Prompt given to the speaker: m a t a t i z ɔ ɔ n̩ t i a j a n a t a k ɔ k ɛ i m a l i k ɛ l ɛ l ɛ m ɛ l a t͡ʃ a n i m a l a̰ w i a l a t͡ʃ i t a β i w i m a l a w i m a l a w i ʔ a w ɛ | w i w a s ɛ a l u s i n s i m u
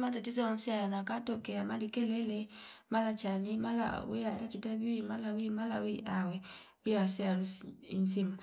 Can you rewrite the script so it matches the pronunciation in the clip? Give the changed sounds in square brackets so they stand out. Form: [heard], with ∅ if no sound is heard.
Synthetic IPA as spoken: m a t a t i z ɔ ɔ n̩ [s] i a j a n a [k] a [t] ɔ k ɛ [a] m a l i k ɛ l ɛ l ɛ m [a] l a t͡ʃ a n i m a l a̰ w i a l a t͡ʃ i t a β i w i m a l a w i m a l a w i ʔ a w ɛ | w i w a s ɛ a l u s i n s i m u